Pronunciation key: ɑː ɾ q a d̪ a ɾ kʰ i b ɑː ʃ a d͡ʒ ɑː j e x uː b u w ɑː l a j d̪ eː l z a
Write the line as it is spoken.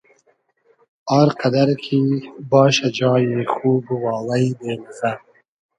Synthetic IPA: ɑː ɾ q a d̪ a ɾ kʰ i b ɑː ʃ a d͡ʒ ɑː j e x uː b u w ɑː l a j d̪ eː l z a